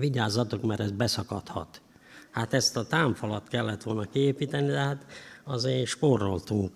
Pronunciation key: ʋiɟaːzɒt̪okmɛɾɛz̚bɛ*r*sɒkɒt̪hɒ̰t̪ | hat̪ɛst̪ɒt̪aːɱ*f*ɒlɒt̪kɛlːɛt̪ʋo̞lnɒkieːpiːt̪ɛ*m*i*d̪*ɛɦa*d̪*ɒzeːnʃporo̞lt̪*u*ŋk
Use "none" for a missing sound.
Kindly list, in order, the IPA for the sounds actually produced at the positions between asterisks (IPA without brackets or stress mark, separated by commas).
none, f, n, d̪, t̪, u